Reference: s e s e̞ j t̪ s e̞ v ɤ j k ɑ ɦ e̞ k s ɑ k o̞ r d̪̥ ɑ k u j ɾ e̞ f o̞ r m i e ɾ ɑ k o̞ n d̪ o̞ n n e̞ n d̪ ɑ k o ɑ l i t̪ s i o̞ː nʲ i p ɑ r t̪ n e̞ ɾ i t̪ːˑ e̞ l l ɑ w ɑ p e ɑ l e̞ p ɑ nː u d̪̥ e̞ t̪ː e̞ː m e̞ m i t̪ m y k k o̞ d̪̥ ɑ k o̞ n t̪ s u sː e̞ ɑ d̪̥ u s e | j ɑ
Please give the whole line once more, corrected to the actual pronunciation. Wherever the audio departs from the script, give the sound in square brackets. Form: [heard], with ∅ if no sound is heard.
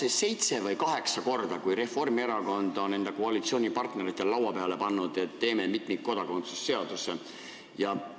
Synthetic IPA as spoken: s e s e̞ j t̪ s e̞ v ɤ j k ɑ ɦ e̞ k s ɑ k o̞ r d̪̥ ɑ k u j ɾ e̞ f o̞ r m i e ɾ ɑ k o̞ n d̪ o̞ n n e̞ n d̪ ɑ k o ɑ l i t̪ s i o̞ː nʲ i p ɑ r t̪ n e̞ ɾ i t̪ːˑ e̞ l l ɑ w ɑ p e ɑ l e̞ p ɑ nː u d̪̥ e̞ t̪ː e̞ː m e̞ m i t̪ m [i] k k o̞ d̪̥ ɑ k o̞ n t̪ s u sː e̞ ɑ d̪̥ u s e | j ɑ